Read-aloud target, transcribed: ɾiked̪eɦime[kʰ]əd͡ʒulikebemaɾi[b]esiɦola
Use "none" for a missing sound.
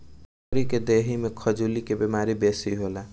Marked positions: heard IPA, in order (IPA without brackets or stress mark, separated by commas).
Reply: kʰ, b